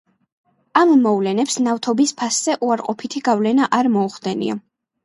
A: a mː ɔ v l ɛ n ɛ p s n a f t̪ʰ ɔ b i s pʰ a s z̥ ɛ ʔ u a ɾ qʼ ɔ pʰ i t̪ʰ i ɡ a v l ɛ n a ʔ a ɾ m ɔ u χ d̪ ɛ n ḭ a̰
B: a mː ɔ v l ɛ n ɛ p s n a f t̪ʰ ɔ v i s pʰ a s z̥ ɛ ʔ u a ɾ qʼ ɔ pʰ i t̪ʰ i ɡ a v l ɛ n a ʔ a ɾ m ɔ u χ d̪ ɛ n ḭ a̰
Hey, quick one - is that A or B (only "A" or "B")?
A